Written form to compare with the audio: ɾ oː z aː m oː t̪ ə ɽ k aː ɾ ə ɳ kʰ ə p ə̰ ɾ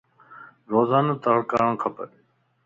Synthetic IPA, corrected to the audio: ɾ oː z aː n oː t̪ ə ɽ k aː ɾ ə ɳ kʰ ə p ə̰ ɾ